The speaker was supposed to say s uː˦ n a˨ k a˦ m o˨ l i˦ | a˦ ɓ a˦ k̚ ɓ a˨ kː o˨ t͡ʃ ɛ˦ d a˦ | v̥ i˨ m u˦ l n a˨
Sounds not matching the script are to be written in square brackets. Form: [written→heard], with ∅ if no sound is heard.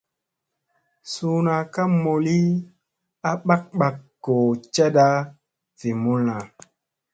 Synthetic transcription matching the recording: s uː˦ n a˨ k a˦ m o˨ l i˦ | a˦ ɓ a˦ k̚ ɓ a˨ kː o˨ t͡ʃ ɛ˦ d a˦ | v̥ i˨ m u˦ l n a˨